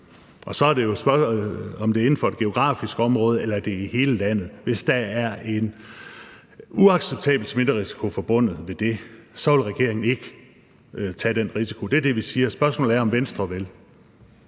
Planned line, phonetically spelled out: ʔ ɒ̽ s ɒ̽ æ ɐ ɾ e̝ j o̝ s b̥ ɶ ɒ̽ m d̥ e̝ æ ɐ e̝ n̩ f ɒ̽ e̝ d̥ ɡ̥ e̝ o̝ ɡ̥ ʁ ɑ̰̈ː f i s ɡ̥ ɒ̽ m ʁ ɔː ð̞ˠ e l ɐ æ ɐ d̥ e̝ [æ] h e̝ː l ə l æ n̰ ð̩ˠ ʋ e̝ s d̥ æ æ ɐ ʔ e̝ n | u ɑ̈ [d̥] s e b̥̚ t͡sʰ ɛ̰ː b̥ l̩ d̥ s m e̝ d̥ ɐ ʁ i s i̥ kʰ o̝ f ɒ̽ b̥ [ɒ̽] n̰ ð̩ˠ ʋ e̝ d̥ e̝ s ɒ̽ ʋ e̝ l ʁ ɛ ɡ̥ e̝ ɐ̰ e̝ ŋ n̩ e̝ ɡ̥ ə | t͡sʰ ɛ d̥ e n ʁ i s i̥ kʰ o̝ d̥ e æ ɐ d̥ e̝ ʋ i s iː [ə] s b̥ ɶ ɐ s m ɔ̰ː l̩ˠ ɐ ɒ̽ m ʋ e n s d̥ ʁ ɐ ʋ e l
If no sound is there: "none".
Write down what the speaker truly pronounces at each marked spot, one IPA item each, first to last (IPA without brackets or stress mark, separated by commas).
i, ɡ̥, ɔ̽, ɐ